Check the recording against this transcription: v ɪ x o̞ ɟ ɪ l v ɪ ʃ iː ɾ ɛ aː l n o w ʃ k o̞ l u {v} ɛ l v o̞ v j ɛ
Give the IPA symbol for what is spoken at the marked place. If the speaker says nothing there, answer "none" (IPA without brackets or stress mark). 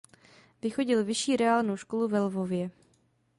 v